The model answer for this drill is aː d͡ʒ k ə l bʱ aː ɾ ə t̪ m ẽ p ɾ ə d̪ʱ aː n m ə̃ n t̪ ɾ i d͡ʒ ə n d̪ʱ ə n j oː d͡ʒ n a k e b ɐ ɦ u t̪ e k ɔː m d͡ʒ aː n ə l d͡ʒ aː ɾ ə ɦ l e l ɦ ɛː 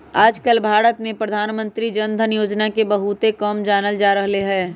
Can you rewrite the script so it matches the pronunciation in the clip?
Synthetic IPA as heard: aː d͡ʒ k ə l bʱ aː ɾ ə t̪ m ẽ p ɾ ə d̪ʱ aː n m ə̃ n t̪ ɾ i d͡ʒ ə n d̪ʱ ə n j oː d͡ʒ n a k e b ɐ ɦ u t̪ e k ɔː m d͡ʒ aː n ə l d͡ʒ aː ɾ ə ɦ l e ɦ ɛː